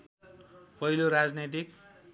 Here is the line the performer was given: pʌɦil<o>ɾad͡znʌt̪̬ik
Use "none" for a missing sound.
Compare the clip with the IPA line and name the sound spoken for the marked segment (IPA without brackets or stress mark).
o